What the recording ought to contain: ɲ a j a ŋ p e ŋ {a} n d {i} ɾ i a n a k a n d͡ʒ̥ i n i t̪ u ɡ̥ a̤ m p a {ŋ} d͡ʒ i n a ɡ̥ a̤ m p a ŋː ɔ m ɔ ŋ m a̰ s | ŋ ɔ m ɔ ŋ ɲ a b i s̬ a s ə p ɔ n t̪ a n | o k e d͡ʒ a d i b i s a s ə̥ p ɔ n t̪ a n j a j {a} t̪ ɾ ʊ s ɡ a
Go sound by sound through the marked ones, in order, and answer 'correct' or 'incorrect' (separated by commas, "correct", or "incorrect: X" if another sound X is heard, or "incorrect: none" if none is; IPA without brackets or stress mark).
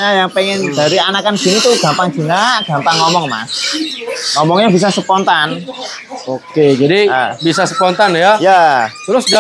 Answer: incorrect: ɛ, incorrect: a, correct, correct